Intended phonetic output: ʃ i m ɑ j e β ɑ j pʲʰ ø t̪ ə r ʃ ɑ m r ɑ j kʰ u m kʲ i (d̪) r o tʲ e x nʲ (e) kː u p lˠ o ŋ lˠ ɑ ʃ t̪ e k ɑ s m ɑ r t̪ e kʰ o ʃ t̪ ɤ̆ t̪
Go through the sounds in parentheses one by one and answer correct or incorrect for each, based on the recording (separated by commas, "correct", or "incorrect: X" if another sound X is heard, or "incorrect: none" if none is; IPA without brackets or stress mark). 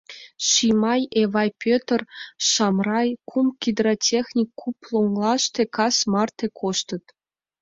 correct, incorrect: i